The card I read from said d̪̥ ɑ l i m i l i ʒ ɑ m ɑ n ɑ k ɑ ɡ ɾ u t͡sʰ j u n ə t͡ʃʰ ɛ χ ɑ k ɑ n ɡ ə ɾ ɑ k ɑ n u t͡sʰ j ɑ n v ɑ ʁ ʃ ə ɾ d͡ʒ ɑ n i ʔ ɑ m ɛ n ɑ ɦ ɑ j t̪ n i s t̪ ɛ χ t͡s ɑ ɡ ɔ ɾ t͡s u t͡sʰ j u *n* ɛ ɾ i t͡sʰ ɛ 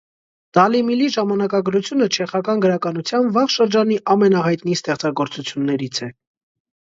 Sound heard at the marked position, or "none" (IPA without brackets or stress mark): nː